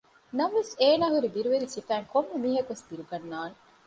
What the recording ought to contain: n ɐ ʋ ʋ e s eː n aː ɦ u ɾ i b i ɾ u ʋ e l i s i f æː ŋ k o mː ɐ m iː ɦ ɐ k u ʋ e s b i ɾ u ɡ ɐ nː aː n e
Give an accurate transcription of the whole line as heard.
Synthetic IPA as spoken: n ɐ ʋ ʋ e s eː n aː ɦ u ɾ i b i ɾ u ʋ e ɾ i s i f æː ŋ k o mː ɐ m iː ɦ ɐ k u ʋ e s b i ɾ u ɡ ɐ nː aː n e